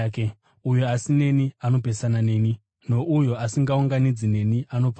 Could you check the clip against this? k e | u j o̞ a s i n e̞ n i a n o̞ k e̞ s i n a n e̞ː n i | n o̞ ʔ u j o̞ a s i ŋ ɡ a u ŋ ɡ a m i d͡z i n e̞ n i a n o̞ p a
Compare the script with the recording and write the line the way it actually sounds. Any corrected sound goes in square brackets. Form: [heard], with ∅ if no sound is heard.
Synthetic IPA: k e | u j o̞ a s i n e̞ n i a n o̞ [p] e̞ s [a] n a n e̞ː n i | n o̞ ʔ u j o̞ a s i ŋ ɡ a u ŋ ɡ a [n] i d͡z i n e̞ n i a n o̞ p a